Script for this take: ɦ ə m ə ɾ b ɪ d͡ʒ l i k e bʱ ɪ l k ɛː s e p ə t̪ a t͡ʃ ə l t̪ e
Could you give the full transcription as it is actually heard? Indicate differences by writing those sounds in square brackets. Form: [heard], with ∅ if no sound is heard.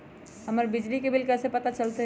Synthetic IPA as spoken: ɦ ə m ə ɾ b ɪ d͡ʒ l i k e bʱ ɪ l k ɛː s e p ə t̪ a t͡ʃ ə l t̪ e